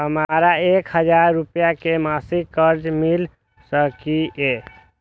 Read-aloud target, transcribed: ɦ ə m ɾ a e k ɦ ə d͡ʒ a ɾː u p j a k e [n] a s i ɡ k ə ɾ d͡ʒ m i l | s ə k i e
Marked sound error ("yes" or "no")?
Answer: yes